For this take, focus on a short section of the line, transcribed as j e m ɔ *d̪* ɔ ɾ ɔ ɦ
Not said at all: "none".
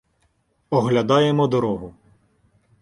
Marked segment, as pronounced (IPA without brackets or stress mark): d̪